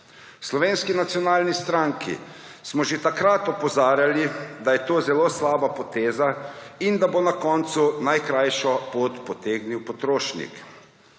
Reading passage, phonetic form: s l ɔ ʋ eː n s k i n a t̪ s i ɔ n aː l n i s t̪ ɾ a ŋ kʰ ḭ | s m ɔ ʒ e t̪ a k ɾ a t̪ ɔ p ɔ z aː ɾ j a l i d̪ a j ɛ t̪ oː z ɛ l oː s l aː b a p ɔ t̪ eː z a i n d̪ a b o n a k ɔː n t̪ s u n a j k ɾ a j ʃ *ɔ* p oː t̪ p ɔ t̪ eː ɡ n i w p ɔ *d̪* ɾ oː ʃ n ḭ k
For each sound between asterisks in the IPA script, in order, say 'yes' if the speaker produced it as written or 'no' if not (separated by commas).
yes, no